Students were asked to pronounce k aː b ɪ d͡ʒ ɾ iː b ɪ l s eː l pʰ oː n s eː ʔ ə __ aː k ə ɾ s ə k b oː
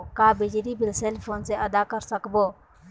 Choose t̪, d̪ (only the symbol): d̪